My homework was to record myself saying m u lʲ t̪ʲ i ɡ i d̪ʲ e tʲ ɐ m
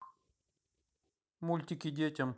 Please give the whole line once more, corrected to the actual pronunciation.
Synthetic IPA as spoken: m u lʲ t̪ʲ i k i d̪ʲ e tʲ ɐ m